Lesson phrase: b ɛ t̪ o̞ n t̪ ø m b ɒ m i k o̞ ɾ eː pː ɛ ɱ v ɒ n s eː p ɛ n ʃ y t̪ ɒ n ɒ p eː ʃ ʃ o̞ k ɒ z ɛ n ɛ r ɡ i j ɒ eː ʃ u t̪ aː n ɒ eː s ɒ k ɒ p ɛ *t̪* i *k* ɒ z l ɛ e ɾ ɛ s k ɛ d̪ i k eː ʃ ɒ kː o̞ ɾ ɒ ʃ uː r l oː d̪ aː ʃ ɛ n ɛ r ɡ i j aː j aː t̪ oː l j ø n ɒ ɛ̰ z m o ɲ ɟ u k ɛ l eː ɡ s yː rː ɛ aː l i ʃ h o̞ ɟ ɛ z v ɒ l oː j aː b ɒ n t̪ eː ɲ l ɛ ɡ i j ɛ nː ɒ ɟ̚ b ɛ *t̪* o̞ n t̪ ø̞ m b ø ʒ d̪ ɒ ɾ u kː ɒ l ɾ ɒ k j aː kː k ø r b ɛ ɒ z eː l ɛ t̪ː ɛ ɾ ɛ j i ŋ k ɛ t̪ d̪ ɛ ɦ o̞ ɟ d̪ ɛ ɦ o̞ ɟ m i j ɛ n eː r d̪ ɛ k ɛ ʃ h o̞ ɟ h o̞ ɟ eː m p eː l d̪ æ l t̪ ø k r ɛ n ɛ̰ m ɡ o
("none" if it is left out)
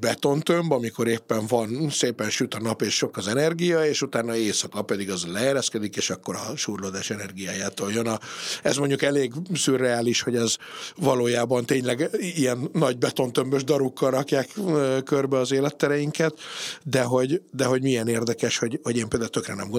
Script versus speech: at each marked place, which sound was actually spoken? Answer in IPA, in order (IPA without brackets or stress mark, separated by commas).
d̪, ɡ, t̪